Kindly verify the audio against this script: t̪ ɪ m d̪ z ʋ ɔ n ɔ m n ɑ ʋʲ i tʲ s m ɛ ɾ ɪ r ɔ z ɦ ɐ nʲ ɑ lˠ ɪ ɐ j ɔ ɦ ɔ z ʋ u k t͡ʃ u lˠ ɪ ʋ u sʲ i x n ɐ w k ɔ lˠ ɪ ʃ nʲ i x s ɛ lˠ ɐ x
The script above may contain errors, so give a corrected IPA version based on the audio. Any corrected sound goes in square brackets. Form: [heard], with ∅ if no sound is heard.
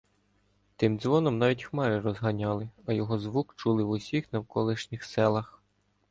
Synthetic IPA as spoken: t̪ ɪ m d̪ z ʋ ɔ n ɔ m n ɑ ʋʲ i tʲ [x] m ɛ ɾ ɪ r ɔ z ɦ ɐ nʲ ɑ lˠ ɪ ɐ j ɔ ɦ ɔ z ʋ u k t͡ʃ u lˠ ɪ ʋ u sʲ i x n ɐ w k ɔ lˠ ɪ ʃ nʲ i x s ɛ lˠ ɐ x